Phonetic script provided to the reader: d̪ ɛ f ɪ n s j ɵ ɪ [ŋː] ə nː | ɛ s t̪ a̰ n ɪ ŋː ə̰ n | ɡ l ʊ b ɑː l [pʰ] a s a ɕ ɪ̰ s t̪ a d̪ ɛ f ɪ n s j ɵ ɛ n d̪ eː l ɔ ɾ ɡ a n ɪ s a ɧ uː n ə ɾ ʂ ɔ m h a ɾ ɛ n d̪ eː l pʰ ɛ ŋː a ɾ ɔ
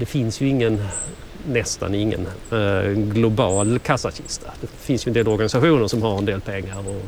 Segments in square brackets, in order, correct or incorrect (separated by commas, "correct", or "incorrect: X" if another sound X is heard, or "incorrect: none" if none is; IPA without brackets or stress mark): correct, incorrect: kʰ